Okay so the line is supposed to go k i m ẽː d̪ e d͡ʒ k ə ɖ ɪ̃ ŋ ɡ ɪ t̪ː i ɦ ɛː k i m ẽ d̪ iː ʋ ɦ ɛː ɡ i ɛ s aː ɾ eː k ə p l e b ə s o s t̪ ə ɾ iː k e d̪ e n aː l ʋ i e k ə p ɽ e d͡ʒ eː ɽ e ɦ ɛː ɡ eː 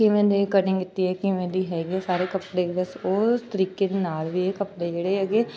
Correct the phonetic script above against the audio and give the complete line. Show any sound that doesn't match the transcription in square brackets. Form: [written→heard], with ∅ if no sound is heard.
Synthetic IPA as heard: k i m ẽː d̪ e [d͡ʒ→∅] k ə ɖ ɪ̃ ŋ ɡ ɪ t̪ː i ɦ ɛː k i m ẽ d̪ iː [ʋ→∅] ɦ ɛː ɡ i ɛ s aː ɾ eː k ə p [l→ɽ] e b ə s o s t̪ ə ɾ iː k e d̪ e n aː l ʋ i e k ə p ɽ e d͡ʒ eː ɽ e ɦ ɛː ɡ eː